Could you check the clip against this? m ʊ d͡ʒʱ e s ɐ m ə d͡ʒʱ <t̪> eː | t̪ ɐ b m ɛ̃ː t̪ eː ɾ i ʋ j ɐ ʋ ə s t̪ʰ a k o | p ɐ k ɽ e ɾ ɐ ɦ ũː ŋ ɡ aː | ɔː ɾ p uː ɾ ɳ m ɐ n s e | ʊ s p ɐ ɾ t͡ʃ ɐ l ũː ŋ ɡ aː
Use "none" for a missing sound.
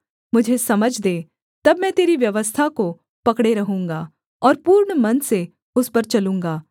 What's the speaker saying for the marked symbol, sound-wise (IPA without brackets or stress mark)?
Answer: d̪